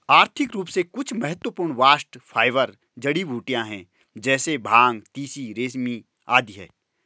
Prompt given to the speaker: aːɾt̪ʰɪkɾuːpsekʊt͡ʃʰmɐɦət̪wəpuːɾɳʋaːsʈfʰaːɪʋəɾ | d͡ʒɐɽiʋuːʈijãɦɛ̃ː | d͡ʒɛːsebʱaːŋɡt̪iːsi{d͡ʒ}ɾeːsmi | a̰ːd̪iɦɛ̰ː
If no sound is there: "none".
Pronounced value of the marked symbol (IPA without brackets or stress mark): none